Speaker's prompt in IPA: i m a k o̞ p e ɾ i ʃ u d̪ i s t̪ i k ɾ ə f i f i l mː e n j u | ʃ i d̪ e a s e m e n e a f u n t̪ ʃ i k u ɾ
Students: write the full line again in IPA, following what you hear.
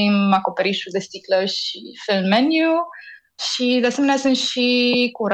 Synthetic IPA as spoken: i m a k o̞ p e ɾ i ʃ u d̪ e s t̪ i k l ə ʃ i f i l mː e n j u | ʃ i d̪ e a s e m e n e a s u n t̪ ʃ i k u ɾ